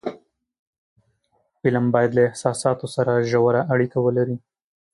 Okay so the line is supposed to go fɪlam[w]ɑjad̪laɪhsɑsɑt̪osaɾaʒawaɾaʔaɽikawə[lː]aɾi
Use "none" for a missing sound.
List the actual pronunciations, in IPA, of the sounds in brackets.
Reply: b, l

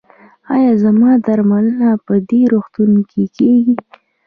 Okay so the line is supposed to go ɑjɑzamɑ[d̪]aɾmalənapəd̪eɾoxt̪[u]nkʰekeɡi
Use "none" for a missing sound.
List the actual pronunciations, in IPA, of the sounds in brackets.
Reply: d̪, u

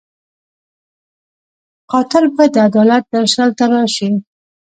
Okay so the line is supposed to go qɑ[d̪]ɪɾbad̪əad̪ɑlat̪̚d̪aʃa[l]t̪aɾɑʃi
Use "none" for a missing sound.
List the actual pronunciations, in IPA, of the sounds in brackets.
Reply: t̪, l

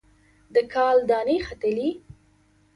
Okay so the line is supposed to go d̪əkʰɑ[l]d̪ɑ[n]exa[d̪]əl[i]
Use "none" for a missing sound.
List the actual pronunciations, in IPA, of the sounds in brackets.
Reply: l, n, t̪, i

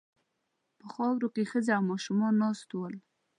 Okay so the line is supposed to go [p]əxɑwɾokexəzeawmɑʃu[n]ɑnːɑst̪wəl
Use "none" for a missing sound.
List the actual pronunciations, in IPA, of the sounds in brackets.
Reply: p, m

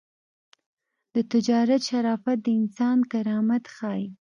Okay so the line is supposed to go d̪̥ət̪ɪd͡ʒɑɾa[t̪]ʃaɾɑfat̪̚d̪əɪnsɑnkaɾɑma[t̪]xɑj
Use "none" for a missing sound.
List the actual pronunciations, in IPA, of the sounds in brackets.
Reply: t̪, t̪

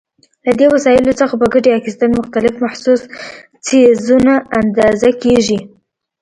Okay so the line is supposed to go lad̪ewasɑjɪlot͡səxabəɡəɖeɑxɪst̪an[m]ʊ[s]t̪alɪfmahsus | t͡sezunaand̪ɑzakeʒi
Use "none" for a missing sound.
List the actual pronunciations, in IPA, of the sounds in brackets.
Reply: m, x

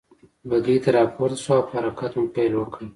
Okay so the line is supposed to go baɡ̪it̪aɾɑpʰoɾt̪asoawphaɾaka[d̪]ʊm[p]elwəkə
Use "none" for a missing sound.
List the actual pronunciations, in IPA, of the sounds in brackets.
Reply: t̪, p

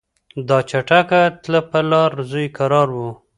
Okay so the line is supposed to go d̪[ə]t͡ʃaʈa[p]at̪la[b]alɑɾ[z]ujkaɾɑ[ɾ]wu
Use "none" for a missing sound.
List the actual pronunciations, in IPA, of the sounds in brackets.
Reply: ɑ, k, p, z, ɾ

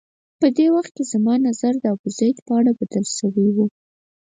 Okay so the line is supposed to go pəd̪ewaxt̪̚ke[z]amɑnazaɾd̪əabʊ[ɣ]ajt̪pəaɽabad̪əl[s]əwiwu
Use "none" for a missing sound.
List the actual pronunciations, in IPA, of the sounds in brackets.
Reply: z, z, ʃ

